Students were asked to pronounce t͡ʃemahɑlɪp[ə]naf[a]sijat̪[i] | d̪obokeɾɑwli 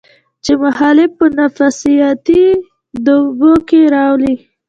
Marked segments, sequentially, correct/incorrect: correct, correct, correct

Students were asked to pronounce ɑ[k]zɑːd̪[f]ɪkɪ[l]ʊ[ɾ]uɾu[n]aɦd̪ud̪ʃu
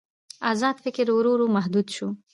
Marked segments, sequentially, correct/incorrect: incorrect: none, correct, incorrect: ɾ, correct, incorrect: m

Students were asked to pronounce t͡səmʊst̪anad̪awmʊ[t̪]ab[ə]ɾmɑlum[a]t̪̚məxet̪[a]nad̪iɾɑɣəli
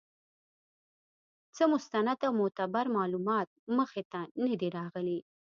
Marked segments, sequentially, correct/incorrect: correct, incorrect: a, incorrect: ɑ, correct

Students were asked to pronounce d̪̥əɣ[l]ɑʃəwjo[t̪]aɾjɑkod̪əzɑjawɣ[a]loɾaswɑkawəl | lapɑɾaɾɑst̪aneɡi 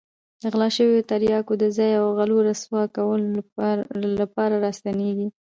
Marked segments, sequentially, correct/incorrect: correct, correct, correct

